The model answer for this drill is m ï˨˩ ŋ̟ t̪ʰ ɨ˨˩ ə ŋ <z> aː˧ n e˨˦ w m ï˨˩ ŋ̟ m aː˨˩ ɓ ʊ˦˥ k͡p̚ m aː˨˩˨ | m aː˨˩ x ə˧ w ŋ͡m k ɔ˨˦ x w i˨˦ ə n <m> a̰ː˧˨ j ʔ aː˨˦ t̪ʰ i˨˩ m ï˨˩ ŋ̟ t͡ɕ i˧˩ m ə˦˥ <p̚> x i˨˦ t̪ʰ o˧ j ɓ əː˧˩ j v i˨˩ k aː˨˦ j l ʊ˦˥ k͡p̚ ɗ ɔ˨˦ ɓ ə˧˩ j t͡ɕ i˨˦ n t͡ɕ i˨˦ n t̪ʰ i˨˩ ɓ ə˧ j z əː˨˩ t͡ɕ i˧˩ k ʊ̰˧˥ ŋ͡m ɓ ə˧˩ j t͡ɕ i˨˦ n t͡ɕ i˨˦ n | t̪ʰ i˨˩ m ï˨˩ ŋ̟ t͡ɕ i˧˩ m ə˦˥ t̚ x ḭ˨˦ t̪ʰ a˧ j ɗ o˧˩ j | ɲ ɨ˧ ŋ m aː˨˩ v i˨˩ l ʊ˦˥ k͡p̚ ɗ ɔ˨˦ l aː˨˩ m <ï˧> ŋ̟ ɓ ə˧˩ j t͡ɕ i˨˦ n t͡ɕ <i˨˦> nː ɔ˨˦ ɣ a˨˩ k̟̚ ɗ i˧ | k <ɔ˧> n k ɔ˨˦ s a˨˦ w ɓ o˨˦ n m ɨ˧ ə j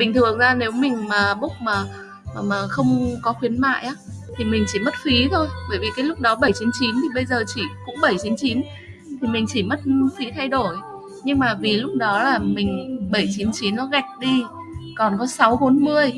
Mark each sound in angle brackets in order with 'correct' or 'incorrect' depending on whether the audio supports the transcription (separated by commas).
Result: correct, correct, incorrect, incorrect, correct, incorrect